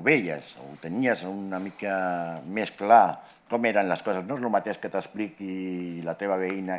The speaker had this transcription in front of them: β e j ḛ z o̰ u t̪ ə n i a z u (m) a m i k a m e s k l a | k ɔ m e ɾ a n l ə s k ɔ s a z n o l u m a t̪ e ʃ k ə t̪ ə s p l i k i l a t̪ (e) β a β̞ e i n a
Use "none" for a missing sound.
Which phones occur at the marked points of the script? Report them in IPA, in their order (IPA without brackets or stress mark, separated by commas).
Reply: n, e